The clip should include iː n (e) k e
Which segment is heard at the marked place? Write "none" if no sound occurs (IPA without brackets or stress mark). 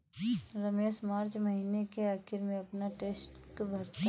e